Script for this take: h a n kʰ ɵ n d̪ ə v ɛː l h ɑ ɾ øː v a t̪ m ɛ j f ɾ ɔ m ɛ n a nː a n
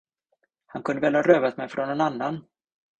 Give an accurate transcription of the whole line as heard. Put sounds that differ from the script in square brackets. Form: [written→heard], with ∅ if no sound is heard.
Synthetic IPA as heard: h a n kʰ ɵ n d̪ ə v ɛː l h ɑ ɾ øː v a t̪ m ɛ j f ɾ ɔ [m→n] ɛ n a nː a n

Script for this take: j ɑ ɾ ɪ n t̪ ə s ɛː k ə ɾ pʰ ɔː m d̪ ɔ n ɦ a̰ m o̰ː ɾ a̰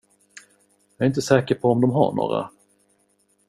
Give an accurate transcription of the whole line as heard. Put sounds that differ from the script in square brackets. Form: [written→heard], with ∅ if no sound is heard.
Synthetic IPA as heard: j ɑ ɾ ɪ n t̪ ə s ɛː k ə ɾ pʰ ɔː m d̪ ɔ [n→m] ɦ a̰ [m→ɳ] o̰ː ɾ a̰

